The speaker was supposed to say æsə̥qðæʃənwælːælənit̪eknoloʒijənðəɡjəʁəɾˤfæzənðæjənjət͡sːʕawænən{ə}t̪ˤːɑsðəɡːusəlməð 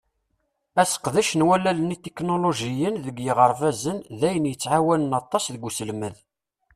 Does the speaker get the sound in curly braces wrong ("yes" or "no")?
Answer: yes